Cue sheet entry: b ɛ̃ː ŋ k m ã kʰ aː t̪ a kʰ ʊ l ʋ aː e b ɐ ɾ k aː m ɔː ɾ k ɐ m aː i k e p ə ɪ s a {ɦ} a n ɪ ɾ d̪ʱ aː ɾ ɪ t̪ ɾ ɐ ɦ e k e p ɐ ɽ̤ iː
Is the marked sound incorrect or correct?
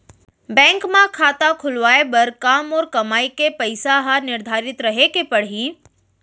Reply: correct